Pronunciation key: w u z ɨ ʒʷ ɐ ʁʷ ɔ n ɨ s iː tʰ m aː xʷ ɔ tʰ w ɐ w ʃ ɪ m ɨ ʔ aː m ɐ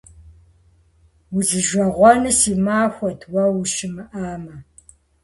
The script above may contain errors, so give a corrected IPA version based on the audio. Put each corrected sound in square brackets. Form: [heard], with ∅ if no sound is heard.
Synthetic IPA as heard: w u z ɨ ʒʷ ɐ ʁʷ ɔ n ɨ s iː [∅] m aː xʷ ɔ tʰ w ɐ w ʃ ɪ m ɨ ʔ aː m ɐ